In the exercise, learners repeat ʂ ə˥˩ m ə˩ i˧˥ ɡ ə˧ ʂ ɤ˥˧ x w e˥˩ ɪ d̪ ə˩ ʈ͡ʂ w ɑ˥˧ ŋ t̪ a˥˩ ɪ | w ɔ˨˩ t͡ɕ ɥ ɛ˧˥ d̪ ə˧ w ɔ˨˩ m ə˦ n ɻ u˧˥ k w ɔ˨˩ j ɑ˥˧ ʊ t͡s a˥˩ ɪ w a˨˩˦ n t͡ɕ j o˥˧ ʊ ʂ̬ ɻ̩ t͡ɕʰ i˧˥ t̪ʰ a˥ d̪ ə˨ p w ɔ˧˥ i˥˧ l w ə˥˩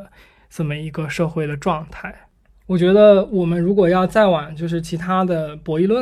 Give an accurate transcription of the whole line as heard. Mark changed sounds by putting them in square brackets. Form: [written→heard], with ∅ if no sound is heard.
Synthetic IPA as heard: [ʂ→ʈ͡ʂ] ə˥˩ m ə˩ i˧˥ ɡ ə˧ ʂ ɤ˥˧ x w e˥˩ ɪ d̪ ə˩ ʈ͡ʂ w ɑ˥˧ ŋ [t̪→t̪ʰ] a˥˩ ɪ | w ɔ˨˩ t͡ɕ ɥ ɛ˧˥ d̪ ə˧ w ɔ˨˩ m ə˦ n ɻ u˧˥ k w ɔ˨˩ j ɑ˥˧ ʊ t͡s a˥˩ ɪ w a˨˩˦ n t͡ɕ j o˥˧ ʊ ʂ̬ ɻ̩ t͡ɕʰ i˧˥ t̪ʰ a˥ d̪ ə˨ p w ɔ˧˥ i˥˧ l w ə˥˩